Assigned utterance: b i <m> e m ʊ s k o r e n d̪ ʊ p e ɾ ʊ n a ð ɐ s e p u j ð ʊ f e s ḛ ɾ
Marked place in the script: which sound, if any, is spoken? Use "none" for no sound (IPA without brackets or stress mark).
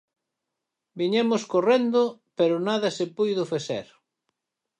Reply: ɲ